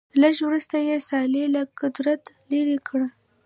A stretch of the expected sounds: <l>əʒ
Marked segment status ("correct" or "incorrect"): correct